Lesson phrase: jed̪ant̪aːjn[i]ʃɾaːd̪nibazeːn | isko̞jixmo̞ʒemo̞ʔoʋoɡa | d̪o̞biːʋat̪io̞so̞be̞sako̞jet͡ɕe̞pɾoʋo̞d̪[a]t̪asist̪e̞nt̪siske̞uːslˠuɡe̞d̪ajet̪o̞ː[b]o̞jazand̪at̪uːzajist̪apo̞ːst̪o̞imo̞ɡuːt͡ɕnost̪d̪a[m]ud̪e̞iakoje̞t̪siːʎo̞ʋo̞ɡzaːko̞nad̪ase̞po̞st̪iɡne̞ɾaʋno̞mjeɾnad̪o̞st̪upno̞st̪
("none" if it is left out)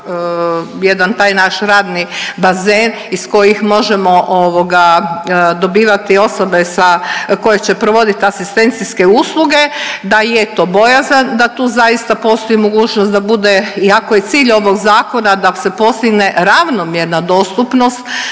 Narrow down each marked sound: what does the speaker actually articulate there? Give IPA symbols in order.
a, i, b, b

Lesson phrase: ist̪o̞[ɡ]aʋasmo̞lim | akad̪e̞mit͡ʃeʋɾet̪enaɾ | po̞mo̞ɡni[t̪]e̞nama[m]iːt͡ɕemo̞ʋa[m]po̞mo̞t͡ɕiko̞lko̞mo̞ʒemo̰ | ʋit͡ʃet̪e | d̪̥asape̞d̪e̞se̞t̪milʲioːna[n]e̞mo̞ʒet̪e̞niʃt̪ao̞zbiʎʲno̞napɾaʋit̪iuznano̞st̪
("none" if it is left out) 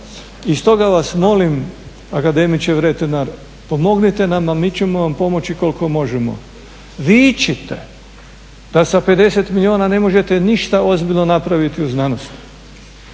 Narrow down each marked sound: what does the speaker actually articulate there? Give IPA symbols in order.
ɡ, t̪, m, m, n

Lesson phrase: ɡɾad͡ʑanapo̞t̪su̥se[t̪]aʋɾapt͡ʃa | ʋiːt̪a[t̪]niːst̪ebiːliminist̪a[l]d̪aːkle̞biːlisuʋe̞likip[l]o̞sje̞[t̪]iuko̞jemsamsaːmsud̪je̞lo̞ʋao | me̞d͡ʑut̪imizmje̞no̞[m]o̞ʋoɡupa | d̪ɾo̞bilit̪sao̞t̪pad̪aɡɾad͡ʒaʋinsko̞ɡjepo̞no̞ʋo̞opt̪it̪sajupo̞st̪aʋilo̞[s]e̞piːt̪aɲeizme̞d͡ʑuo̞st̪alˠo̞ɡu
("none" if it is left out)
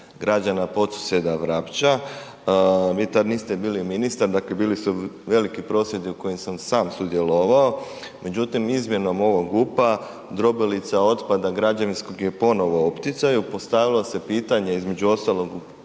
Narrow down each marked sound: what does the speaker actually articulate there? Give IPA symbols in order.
d̪, d̪, ɾ, ɾ, d̪, m, s

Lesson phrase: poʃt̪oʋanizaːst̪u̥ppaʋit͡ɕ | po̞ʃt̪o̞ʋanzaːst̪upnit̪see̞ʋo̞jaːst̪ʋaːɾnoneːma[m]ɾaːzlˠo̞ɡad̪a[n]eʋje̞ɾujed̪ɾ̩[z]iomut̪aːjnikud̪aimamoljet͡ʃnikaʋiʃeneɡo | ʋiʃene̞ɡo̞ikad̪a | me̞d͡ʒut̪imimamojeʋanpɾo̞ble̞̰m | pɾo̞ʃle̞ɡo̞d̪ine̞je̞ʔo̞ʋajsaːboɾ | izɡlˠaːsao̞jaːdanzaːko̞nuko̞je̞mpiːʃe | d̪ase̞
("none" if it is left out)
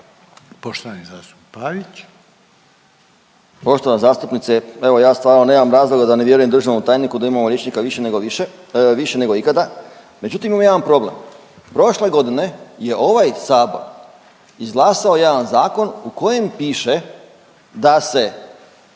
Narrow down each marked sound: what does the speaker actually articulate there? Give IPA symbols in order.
m, n, ʒ

